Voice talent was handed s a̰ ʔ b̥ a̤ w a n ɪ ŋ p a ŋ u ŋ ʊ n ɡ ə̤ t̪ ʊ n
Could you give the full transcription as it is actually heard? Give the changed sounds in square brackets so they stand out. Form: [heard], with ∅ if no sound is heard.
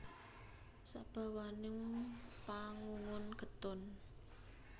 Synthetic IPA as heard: s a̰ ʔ b̥ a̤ w a n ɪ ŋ p a ŋ u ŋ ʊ n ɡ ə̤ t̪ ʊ n

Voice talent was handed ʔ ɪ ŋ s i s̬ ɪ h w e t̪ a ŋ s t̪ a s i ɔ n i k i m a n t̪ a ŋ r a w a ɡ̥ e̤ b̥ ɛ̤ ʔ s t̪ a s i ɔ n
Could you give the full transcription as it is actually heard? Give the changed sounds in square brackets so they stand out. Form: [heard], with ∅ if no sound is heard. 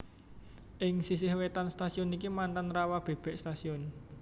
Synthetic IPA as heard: ʔ ɪ ŋ s i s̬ ɪ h w e t̪ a [n] s t̪ a s i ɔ n i k i m a n t̪ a [n] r a w a [b̥] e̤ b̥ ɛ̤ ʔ s t̪ a s i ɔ n

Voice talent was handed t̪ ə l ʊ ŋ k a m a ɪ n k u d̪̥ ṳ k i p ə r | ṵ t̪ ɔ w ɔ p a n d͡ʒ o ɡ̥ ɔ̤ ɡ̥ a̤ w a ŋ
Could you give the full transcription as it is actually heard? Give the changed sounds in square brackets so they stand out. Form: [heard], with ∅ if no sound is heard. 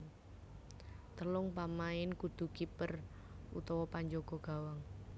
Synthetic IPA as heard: t̪ ə l ʊ ŋ [p] a m a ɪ n k u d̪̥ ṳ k i p ə r | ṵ t̪ ɔ w ɔ p a [ɲ] d͡ʒ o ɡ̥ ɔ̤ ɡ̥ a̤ w a ŋ

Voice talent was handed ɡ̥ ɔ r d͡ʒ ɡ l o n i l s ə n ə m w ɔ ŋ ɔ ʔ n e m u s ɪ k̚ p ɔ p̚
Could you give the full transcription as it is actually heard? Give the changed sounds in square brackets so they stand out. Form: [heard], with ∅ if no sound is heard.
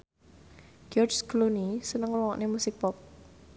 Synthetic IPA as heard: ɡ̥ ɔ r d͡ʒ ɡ l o n i [∅] s ə n ə [ŋ] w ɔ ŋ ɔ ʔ n e m u s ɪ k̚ p ɔ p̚

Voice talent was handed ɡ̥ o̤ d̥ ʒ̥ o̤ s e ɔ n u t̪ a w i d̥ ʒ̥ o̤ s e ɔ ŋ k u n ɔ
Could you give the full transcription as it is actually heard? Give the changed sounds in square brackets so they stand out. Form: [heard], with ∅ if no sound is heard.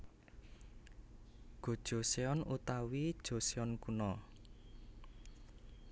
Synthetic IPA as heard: ɡ̥ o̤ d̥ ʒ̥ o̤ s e ɔ n u t̪ a w i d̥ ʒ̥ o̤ s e ɔ [n] k u n ɔ

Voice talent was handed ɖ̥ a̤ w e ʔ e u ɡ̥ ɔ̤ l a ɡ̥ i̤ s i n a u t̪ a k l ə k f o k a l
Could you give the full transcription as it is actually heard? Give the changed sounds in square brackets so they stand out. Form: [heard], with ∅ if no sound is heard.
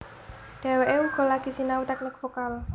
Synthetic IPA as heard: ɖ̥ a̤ w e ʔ e u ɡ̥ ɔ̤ l a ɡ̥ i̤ s i n a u t̪ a k l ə k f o k a l

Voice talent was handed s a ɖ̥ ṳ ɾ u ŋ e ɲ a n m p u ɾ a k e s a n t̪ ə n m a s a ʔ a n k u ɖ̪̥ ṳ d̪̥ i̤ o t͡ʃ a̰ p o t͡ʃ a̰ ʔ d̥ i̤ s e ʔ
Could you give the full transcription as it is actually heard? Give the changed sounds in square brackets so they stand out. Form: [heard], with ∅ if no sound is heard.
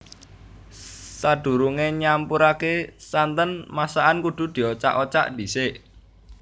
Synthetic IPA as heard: s a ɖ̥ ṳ ɾ u ŋ e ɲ a [∅] m p u ɾ a k e s a n t̪ ə n m a s a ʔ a n k u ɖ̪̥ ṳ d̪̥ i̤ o t͡ʃ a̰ [ʔ] o t͡ʃ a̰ ʔ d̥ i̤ s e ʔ

